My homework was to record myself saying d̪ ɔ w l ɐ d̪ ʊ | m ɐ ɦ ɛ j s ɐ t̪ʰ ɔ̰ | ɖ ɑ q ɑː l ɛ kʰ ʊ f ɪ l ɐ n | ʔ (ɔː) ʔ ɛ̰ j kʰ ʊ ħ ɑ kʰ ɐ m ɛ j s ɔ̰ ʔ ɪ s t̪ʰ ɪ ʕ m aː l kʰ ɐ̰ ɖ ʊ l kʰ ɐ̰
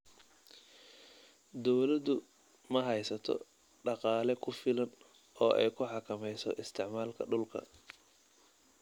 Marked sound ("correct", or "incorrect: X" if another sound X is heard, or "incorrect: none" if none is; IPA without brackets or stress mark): correct